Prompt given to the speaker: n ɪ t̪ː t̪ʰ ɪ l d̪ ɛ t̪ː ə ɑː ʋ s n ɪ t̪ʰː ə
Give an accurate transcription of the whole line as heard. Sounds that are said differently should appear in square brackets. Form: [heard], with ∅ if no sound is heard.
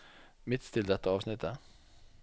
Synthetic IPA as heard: [m] ɪ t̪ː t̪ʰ ɪ l d̪ ɛ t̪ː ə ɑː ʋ s n ɪ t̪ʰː ə

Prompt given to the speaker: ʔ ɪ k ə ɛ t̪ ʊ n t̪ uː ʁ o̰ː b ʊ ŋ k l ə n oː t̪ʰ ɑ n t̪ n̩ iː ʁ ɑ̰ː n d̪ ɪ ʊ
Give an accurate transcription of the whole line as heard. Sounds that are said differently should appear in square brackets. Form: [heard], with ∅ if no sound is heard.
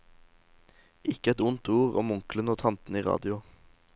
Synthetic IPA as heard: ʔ ɪ k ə ɛ t̪ ʊ n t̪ uː ʁ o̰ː [m] ʊ ŋ k l ə n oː t̪ʰ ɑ n t̪ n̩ iː ʁ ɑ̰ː [∅] d̪ ɪ ʊ

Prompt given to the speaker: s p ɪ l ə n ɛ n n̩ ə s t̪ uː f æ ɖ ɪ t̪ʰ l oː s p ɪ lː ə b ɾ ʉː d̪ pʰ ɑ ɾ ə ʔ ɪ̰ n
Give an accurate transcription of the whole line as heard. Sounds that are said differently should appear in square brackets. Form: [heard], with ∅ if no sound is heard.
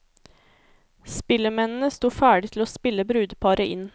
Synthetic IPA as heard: s p ɪ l ə [m] ɛ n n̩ ə s t̪ uː f [æː] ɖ ɪ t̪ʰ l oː s p ɪ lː ə b ɾ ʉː d̪ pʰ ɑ ɾ ə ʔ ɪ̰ n

